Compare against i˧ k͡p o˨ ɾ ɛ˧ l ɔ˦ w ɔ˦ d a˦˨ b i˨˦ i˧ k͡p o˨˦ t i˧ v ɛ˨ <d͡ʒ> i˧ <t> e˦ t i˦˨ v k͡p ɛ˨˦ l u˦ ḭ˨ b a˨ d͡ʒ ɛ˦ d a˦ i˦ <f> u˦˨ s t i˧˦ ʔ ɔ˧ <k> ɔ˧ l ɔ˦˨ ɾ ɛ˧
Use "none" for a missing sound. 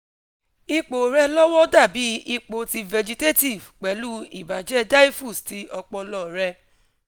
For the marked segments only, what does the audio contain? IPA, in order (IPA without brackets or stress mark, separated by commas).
d͡ʒ, t, f, k͡p